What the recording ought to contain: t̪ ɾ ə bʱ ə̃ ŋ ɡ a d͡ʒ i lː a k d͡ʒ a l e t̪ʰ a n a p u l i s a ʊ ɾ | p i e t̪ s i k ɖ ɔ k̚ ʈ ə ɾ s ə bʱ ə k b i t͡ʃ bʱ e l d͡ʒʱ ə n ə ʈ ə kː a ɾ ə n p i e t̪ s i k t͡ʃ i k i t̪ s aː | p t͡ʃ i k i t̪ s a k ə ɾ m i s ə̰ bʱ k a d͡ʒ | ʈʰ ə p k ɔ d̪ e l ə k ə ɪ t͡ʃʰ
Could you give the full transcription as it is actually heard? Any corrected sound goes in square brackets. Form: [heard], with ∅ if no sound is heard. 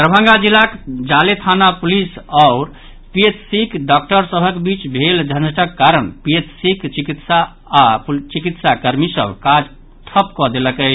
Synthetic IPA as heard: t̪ ɾ ə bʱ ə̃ ŋ ɡ a d͡ʒ i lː a k d͡ʒ a l e t̪ʰ a n a p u l i s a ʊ ɾ | p i e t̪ s i k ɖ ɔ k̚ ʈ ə ɾ s ə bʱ ə k b i t͡ʃ bʱ e l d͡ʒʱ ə n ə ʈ ə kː a ɾ ə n p i e t̪ s i k t͡ʃ i k i t̪ s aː | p t͡ʃ i k i t̪ s a k ə ɾ m i s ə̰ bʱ k a d͡ʒ | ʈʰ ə p k ɔ d̪ e l ə k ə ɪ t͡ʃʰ